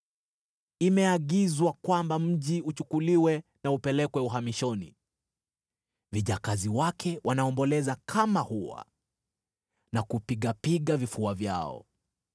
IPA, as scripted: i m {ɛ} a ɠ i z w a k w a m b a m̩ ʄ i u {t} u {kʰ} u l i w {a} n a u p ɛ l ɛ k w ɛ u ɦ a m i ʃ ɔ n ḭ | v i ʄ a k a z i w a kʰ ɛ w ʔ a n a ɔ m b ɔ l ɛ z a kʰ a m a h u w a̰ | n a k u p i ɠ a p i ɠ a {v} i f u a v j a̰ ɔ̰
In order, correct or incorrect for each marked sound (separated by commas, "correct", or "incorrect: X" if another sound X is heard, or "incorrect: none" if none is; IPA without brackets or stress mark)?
correct, incorrect: t͡ʃ, incorrect: k, incorrect: ɛ, correct